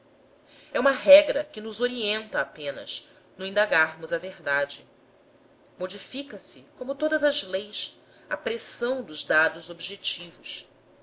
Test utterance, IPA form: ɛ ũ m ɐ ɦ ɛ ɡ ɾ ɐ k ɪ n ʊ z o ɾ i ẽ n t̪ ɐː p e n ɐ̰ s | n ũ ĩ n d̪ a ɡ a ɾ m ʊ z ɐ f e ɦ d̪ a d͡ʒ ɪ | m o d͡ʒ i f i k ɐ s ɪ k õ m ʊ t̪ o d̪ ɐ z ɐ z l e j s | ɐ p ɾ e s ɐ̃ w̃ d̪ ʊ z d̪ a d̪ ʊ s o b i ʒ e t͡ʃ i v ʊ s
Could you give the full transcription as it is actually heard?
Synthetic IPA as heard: ɛ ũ m ɐ ɦ ɛ ɡ ɾ ɐ k ɪ n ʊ z o ɾ i ẽ n t̪ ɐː p ẽ n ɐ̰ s | n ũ ĩ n d̪ a ɡ a ɾ m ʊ z ɐ v e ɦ d̪ a d͡ʒ ɪ | m o d͡ʒ i f i k ɐ s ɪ k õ m ʊ t̪ o d̪ ɐ z ɐ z l e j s | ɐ p ɾ e s ɐ̃ w̃ d̪ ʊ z d̪ a d̪ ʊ z o b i ʒ e t͡ʃ i v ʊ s